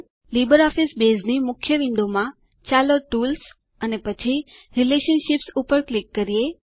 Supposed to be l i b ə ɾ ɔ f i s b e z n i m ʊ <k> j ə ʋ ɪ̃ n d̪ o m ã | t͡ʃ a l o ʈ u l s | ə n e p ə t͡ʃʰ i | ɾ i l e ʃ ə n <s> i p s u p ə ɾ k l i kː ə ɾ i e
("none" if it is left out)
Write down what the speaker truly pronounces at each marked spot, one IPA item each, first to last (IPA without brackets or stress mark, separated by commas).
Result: kʰ, ʃ